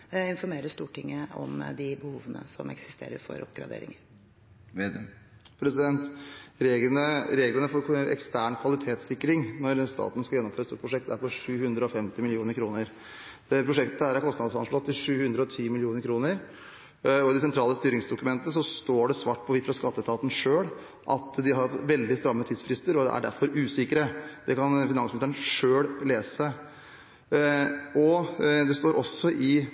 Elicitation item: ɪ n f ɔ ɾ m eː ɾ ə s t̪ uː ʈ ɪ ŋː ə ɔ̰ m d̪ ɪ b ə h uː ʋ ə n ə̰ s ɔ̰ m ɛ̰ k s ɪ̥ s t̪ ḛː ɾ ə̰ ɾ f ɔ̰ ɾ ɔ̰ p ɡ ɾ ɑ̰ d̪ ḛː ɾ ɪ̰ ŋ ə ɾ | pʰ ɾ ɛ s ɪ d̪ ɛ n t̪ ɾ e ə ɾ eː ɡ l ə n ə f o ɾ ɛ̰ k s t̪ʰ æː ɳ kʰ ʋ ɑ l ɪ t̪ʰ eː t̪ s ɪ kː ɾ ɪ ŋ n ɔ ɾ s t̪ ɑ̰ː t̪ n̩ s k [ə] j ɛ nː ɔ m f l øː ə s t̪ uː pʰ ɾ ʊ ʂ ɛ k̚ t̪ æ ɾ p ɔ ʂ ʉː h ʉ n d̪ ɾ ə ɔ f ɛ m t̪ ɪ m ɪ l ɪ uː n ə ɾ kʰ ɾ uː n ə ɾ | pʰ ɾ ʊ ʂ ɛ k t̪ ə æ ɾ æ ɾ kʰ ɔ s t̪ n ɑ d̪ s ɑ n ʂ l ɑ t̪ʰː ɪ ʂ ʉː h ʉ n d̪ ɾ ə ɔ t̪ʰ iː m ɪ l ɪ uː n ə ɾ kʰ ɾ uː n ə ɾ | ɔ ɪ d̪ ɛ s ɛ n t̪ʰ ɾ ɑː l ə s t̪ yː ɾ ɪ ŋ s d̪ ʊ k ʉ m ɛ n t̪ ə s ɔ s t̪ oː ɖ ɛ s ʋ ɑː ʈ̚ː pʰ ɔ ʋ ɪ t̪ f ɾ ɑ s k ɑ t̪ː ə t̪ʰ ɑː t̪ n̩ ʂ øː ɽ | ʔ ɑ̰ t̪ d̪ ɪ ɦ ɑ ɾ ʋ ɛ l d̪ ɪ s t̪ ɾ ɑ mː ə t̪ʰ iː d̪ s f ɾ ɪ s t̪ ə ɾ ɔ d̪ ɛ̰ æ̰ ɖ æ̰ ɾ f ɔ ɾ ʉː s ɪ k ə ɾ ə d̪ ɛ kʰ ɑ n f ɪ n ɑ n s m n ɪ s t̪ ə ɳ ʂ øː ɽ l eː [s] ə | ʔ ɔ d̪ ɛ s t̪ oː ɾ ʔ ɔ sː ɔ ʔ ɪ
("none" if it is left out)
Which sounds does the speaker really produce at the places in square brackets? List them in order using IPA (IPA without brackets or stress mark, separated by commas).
ɑ, s